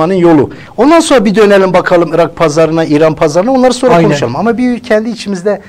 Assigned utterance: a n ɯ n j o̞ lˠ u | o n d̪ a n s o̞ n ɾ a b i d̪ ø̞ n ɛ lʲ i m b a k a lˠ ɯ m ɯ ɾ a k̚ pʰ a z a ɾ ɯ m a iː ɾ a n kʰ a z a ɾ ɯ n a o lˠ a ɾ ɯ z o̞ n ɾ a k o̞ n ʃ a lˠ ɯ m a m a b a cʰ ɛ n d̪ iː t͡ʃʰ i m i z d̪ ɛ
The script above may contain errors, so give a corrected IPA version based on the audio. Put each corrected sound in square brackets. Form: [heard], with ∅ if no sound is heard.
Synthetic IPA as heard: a n ɯ n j o̞ lˠ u | o n d̪ a n s o̞ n ɾ a b i d̪ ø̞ n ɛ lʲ i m b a [kʰ] a lˠ ɯ m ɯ ɾ a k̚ pʰ a z a ɾ ɯ [n] a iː ɾ a n [pʰ] a z a ɾ ɯ n a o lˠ a ɾ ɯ [s] o̞ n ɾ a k o̞ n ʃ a lˠ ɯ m a m a b [i] cʰ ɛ n d̪ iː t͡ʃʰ i m i z d̪ ɛ